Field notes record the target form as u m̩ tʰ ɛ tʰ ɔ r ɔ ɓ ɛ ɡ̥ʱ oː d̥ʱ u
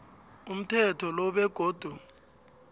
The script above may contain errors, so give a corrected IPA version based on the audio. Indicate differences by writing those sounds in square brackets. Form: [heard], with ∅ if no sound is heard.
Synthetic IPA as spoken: u m̩ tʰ ɛ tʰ ɔ [l] ɔ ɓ ɛ ɡ̥ʱ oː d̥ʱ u